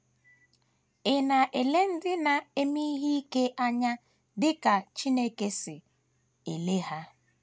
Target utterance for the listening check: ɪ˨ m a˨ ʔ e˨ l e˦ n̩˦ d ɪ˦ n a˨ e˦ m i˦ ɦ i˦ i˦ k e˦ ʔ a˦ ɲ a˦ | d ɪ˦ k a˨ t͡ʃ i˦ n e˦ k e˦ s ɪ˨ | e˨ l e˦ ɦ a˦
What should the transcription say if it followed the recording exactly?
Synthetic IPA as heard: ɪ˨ n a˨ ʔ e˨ l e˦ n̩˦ d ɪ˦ n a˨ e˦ m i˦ ɦ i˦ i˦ k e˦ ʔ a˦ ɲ a˦ | d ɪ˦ k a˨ t͡ʃ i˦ n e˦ k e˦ s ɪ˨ | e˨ l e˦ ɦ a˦